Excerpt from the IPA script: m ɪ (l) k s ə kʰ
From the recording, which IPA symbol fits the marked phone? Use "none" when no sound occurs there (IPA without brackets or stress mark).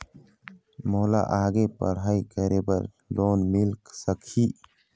l